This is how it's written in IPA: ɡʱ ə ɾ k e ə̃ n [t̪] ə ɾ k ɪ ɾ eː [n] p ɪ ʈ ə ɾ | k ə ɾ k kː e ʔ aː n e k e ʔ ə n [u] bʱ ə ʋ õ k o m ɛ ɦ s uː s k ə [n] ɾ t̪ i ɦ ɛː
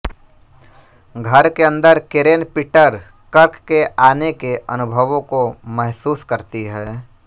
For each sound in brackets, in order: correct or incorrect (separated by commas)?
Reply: incorrect, correct, incorrect, incorrect